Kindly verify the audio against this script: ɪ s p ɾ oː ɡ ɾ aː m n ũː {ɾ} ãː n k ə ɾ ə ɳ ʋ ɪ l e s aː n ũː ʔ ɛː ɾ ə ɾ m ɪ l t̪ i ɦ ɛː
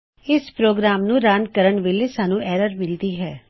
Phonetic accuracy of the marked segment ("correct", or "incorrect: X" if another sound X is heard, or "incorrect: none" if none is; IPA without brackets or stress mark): correct